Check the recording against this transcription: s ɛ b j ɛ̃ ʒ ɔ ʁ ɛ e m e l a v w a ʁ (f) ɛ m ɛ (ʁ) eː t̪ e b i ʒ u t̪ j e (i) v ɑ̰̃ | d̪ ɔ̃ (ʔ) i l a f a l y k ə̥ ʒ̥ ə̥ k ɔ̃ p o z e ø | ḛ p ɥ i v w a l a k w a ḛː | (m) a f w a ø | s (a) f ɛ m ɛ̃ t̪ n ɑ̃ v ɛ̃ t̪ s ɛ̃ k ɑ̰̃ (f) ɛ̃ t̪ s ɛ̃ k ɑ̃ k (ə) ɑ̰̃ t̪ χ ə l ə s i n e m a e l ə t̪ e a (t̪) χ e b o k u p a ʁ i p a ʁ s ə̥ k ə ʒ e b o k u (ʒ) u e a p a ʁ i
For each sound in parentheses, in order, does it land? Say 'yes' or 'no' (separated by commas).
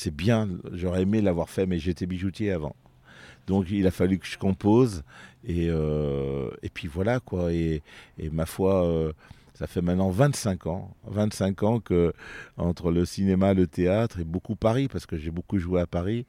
yes, no, no, no, yes, yes, no, yes, yes, yes